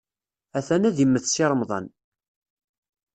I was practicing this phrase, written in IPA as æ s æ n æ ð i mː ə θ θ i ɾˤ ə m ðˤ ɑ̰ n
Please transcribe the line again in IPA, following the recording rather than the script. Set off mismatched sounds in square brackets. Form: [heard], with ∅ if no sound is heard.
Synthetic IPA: æ [θ] æ n æ ð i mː ə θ [s] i ɾˤ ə m ðˤ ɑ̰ n